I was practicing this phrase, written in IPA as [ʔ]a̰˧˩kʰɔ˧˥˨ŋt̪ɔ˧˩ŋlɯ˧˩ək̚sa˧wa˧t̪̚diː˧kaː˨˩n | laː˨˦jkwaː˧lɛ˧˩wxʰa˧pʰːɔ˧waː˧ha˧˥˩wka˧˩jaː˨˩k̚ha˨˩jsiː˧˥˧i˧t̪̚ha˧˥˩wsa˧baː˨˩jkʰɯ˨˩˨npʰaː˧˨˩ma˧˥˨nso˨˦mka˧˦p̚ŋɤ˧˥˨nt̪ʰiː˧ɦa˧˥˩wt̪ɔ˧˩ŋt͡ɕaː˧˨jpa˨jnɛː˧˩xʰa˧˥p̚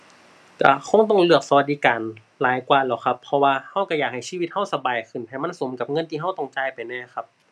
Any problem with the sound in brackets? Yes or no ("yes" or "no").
yes